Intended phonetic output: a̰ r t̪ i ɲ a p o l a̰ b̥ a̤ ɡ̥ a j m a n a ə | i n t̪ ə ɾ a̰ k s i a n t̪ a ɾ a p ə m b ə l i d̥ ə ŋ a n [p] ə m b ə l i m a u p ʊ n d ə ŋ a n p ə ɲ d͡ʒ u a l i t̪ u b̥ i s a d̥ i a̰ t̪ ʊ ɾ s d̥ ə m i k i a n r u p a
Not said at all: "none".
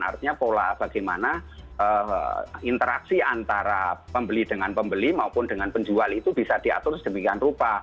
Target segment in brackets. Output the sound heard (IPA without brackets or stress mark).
p